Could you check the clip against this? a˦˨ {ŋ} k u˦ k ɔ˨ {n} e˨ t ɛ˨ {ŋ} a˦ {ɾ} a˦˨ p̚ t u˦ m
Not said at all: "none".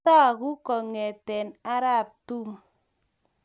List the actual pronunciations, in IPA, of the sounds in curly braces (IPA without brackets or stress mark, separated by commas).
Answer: none, ŋ, n, ɾ